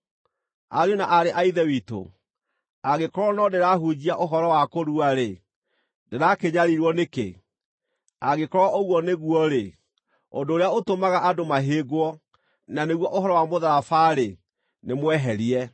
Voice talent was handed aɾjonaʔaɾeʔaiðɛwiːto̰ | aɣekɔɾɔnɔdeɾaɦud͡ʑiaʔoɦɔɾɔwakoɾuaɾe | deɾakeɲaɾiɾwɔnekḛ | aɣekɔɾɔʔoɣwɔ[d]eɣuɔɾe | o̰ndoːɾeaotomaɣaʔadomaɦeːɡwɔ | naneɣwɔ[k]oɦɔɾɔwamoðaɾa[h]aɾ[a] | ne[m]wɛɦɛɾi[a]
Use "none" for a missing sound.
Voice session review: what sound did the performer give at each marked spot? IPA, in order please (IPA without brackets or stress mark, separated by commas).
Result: n, ʔ, f, e, m, ɛ